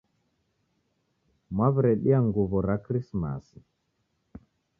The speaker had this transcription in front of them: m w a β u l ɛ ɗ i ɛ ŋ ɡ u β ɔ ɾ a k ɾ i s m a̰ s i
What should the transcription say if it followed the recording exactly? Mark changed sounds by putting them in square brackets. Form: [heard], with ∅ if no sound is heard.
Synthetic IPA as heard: m w a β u [ɾ] ɛ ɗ i [a] ŋ ɡ u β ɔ ɾ a k ɾ i s m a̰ s i